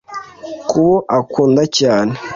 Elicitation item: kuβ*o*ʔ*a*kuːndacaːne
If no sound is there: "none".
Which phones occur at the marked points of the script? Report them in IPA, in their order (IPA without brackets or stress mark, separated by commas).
o, a